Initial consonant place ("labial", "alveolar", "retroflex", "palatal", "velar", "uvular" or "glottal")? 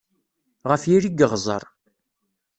uvular